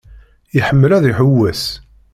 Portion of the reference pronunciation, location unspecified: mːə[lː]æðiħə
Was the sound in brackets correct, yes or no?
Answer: no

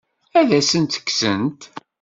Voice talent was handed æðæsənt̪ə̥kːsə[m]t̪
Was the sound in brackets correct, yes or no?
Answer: no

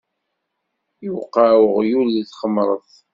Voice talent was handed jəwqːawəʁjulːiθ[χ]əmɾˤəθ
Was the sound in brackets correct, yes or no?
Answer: yes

